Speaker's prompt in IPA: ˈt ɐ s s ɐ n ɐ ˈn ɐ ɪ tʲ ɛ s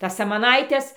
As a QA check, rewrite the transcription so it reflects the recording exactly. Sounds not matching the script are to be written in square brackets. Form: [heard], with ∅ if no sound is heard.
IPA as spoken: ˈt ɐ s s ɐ [m] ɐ ˈn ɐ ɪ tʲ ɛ s